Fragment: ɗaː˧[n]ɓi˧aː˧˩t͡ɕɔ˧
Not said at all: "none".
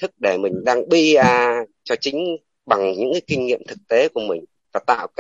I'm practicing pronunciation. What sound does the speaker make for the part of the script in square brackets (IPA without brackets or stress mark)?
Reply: ŋ